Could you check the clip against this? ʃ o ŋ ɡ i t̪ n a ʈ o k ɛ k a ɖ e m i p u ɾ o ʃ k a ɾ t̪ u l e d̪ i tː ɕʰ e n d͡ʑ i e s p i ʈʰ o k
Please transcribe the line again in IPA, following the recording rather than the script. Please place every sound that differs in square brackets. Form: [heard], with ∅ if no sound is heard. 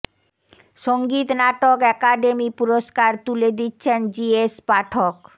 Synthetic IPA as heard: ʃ o ŋ ɡ i t̪ n a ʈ o k ɛ k a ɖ e m i p u ɾ o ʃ k a ɾ t̪ u l e d̪ i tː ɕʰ e n d͡ʑ i e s p [a] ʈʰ o k